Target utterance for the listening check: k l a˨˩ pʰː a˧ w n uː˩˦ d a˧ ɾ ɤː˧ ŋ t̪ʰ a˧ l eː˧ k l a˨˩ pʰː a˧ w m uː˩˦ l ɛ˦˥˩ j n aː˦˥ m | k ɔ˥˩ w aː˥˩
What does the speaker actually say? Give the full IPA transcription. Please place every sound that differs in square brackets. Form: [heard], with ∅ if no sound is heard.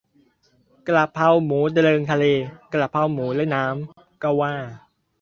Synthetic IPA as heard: k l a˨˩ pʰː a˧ w [m] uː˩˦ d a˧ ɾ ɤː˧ ŋ t̪ʰ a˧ l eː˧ k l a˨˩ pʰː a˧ w m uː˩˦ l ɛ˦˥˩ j n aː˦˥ m | k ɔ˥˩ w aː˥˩